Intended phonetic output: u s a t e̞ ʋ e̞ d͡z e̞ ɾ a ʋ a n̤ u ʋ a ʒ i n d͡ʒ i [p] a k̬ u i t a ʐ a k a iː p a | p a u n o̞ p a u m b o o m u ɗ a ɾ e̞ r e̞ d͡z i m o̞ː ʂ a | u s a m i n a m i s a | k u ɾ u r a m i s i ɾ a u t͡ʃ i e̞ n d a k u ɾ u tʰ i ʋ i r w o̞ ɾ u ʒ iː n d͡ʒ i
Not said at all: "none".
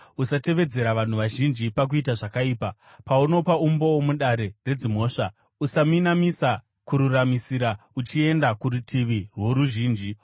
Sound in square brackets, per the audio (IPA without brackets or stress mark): p